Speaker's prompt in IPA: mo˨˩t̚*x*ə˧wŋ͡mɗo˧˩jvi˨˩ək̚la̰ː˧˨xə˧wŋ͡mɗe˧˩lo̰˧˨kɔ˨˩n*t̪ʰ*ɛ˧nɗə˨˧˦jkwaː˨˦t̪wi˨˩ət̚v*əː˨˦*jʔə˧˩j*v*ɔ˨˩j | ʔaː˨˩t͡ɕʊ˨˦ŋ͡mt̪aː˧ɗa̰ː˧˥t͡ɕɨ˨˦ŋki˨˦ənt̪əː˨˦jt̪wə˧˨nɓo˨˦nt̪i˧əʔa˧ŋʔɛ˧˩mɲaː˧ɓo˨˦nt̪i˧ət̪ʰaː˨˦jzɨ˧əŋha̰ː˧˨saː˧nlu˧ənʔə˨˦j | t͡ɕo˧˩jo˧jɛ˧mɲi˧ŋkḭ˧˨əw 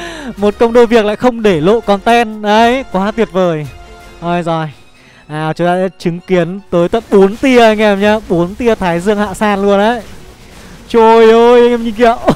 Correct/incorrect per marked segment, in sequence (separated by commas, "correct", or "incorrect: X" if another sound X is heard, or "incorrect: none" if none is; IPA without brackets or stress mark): incorrect: k, incorrect: t̪, incorrect: əː˨˩, incorrect: z